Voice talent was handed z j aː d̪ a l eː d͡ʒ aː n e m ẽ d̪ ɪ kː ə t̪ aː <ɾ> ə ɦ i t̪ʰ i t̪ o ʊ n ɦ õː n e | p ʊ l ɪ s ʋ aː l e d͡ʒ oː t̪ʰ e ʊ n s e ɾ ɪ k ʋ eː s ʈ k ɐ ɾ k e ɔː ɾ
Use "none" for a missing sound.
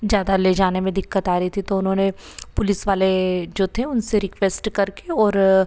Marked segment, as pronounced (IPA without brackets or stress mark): ɾ